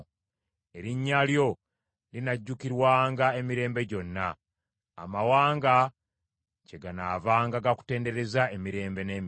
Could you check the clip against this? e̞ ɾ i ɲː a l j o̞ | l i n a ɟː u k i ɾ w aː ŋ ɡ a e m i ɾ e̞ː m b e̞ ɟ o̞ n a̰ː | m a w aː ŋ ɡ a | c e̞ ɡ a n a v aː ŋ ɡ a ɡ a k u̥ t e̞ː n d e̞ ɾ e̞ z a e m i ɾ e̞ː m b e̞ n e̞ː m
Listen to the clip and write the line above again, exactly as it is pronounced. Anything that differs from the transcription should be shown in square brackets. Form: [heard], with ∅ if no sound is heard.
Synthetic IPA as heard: e̞ ɾ i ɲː a l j o̞ | l i n a ɟː u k i ɾ w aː ŋ ɡ a e m i ɾ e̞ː m b e̞ ɟ o̞ [nː] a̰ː | m a w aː ŋ ɡ a | c e̞ ɡ a n a v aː ŋ ɡ a ɡ a k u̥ t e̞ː n d e̞ ɾ e̞ z a e m i ɾ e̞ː m b e̞ n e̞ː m